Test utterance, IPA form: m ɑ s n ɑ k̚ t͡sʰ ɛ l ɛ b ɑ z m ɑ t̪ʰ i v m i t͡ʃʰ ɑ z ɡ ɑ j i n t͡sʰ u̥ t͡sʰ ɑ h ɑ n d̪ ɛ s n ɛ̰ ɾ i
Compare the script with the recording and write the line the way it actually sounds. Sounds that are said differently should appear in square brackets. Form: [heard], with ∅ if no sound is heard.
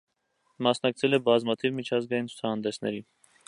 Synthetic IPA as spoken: m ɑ s n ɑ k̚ t͡sʰ ɛ l ɛ b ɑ z m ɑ t̪ʰ i v m i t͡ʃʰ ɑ z ɡ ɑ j i n t͡sʰ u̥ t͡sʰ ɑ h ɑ n d̪ ɛ s n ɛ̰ ɾ i